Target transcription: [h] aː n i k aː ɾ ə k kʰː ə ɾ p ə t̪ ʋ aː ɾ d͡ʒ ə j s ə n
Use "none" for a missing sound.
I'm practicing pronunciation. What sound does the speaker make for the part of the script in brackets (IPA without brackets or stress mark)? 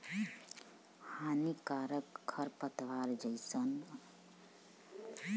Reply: h